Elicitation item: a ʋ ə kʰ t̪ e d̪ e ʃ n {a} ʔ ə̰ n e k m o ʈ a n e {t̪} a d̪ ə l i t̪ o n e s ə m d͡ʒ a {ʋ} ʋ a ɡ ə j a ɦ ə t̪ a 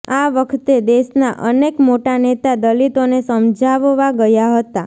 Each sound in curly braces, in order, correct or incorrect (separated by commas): correct, correct, correct